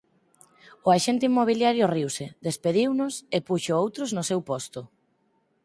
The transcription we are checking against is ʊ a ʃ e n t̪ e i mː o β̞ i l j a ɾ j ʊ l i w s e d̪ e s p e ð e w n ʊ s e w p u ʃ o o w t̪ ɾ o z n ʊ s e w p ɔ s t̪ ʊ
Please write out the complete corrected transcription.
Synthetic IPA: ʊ a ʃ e n t̪ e i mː o β̞ i l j a ɾ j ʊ r i w s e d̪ e s p e ð i w n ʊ s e p u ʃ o o w t̪ ɾ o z n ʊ s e w p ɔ s t̪ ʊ